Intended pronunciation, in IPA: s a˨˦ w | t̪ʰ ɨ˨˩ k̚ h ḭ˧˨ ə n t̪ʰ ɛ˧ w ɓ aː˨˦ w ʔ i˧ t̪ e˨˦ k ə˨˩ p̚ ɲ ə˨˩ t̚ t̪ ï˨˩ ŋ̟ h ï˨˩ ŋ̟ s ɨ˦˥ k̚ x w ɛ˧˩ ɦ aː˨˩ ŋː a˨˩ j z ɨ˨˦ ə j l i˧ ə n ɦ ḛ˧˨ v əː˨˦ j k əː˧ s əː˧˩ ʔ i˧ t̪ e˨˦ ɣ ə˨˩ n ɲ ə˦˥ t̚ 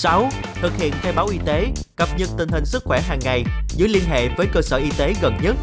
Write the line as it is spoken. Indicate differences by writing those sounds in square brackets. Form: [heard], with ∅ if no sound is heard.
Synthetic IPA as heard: s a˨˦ w | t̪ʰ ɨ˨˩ k̚ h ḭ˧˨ ə n t̪ʰ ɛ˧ w ɓ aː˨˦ w ʔ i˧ t̪ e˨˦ k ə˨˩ p̚ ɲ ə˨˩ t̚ t̪ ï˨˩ ŋ̟ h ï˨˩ ŋ̟ s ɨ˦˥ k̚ x w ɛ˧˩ ɦ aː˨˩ ŋː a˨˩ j z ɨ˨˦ ə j l i˧ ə n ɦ ḛ˧˨ v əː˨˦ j k əː˧ s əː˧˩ ʔ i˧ t̪ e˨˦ ɣ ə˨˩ n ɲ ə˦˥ t̚